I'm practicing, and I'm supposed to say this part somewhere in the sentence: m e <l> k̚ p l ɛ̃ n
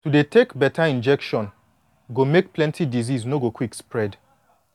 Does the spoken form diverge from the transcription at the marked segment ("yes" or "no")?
yes